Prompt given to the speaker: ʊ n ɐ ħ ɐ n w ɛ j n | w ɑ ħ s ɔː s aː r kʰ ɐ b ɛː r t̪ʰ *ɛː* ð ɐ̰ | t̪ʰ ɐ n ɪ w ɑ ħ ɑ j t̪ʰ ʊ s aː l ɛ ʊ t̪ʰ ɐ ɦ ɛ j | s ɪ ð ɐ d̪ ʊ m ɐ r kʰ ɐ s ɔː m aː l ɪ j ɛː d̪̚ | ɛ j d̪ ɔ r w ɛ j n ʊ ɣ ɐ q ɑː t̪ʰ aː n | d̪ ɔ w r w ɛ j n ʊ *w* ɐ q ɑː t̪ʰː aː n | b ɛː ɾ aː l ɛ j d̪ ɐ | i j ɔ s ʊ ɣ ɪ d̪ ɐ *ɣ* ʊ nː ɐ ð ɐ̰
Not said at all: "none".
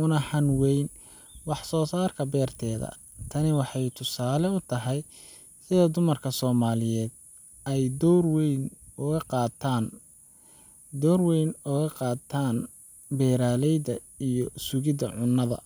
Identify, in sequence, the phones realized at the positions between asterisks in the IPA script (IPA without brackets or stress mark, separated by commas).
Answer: ɛː, ɣ, ʕ